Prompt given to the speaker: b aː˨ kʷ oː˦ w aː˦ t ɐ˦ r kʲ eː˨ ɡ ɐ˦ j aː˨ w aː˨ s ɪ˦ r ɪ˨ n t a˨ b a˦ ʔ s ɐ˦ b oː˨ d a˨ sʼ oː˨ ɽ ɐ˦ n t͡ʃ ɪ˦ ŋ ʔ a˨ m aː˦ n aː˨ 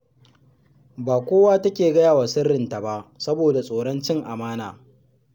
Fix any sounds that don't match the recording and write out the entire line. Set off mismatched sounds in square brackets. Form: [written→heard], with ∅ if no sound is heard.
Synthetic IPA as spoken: b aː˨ kʷ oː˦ w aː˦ t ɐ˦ [r→∅] kʲ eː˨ ɡ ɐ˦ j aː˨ w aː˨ s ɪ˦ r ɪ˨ n t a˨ b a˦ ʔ s ɐ˦ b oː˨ d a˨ sʼ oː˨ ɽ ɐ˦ n t͡ʃ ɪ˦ ŋ ʔ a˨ m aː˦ n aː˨

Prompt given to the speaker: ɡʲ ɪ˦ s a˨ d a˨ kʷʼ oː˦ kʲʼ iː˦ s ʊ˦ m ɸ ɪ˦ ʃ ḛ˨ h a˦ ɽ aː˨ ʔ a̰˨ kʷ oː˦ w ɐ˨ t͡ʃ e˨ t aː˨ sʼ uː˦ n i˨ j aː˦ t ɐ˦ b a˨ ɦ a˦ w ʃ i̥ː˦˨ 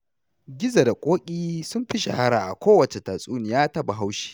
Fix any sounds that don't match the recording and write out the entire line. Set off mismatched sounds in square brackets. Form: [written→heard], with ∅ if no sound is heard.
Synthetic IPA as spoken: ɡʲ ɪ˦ [s→z] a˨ d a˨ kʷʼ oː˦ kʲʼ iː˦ s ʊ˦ m ɸ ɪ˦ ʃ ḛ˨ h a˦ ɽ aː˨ ʔ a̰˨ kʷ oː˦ w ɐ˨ t͡ʃ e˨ t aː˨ sʼ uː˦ n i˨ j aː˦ t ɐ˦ b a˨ ɦ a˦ w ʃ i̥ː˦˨

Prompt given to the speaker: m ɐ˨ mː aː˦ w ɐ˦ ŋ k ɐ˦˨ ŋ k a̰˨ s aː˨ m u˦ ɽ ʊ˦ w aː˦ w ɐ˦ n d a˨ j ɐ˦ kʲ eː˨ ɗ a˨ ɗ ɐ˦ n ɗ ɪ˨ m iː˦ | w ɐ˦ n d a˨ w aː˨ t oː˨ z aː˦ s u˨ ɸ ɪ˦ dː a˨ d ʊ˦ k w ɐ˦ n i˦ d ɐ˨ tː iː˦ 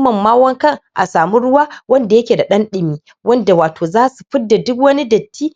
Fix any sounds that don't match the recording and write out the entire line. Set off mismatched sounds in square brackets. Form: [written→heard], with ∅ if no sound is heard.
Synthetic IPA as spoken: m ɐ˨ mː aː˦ w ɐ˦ ŋ k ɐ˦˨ ŋ [k→ʔ] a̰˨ s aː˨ m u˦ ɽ ʊ˦ w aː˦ w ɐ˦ n d a˨ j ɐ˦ kʲ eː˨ [ɗ→d] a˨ ɗ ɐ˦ n ɗ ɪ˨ m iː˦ | w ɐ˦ n d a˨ w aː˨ t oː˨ z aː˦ s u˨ ɸ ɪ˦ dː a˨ d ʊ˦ k w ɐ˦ n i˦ d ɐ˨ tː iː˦

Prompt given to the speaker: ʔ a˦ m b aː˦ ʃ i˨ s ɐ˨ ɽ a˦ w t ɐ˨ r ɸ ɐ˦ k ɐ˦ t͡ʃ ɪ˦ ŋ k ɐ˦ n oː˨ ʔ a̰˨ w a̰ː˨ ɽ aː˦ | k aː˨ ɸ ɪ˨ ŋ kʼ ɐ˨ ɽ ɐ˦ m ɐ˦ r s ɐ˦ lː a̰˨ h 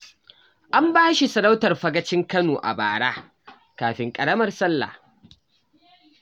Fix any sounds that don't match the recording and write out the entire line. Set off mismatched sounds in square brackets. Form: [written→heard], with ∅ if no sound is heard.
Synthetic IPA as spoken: ʔ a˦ m b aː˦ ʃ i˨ s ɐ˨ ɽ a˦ w t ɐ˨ r ɸ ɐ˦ [k→ɡ] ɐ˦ t͡ʃ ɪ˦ ŋ k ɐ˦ n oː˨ ʔ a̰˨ [w→b] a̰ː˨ ɽ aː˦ | k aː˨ ɸ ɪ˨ ŋ kʼ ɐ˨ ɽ ɐ˦ m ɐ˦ r s ɐ˦ lː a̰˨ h

